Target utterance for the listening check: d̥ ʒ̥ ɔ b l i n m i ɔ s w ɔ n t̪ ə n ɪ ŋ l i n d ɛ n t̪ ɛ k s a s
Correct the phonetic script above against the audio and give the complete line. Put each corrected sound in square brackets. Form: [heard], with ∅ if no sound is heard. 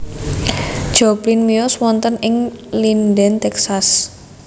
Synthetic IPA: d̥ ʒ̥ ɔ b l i n m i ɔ s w ɔ n t̪ ə n ɪ ŋ l i n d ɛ n t̪ ɛ k s a s